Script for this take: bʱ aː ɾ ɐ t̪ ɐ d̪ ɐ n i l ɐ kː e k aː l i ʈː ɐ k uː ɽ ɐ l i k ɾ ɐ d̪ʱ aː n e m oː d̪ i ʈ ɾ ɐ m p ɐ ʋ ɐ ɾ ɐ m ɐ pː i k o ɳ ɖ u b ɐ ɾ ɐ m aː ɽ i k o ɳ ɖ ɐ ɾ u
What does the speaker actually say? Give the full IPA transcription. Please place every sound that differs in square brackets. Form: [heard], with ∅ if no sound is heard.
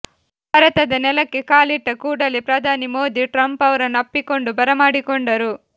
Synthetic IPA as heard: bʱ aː ɾ ɐ t̪ ɐ d̪ ɐ n [ɛ] l ɐ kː e k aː l i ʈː ɐ k uː ɽ ɐ l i [p] ɾ ɐ d̪ʱ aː n [i] m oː d̪ i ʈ ɾ ɐ m p ɐ ʋ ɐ ɾ ɐ [n] ɐ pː i k o ɳ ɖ u b ɐ ɾ ɐ m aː ɽ i k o ɳ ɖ ɐ ɾ u